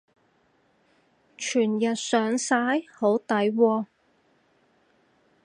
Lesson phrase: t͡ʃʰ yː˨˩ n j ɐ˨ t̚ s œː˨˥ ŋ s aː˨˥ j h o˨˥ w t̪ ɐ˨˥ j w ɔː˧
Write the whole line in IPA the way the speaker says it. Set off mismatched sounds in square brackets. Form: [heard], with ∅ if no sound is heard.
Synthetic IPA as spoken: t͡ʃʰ yː˨˩ n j ɐ˨ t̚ s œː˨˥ ŋ s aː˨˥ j h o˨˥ w t̪ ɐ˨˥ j w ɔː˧